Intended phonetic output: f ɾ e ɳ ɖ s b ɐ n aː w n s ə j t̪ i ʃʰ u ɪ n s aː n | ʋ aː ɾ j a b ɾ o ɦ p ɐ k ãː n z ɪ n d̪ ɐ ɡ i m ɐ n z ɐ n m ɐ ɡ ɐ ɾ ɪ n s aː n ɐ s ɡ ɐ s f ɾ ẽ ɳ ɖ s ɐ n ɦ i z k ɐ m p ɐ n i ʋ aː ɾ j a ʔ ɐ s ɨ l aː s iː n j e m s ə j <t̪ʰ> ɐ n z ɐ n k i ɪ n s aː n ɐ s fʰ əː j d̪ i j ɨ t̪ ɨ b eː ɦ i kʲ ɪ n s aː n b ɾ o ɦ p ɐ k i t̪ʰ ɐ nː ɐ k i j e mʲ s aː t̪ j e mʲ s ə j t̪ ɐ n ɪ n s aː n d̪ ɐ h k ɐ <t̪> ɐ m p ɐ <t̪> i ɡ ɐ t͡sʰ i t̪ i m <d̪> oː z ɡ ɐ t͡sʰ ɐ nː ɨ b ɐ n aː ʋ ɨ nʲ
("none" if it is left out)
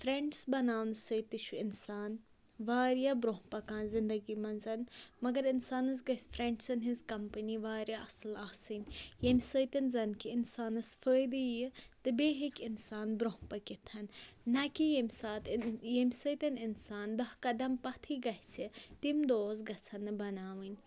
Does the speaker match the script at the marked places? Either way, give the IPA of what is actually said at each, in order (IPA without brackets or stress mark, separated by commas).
t̪, d̪, t̪ʰ, d̪